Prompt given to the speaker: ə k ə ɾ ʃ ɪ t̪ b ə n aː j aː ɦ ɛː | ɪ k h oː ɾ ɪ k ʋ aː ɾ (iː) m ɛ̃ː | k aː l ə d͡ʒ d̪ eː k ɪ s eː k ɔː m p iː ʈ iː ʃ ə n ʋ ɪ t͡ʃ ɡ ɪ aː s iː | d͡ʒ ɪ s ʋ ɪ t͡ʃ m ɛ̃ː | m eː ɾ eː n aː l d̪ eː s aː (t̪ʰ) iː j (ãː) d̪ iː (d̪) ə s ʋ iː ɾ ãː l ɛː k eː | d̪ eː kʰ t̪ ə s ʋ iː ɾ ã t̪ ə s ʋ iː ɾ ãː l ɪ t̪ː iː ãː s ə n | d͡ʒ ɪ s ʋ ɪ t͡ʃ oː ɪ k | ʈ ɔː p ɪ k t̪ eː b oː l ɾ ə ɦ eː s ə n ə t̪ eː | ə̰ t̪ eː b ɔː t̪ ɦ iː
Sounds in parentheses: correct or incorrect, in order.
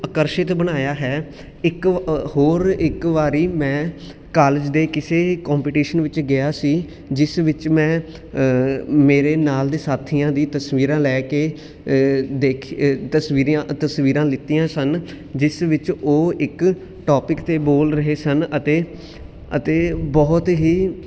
correct, correct, correct, incorrect

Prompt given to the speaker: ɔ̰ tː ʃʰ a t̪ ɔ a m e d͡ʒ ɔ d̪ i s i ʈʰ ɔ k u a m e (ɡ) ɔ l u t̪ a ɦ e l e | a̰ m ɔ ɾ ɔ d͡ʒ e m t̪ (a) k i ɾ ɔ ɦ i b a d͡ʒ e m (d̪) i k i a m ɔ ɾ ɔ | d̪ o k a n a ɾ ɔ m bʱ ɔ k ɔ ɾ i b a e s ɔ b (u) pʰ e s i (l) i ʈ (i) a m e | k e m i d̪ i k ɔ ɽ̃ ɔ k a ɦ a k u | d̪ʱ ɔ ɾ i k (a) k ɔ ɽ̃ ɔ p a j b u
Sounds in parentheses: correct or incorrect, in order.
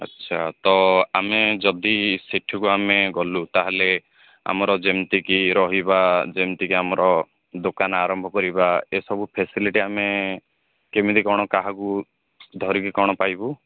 correct, incorrect, incorrect, correct, correct, correct, incorrect

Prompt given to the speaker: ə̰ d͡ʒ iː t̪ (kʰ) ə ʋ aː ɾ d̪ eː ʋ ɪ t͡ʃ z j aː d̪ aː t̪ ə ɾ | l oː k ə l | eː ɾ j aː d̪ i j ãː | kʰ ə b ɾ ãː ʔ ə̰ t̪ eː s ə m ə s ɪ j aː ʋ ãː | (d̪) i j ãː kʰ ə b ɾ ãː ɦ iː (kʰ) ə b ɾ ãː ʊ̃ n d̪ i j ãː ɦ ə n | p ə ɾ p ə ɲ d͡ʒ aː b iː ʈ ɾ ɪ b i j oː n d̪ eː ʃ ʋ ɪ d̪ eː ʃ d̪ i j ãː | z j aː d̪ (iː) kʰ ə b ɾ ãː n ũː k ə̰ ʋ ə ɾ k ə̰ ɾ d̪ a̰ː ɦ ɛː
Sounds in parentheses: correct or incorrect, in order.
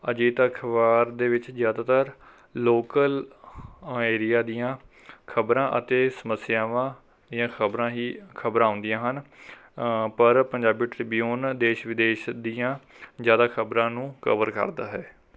correct, correct, correct, incorrect

